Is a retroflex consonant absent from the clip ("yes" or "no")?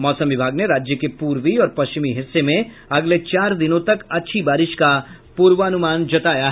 yes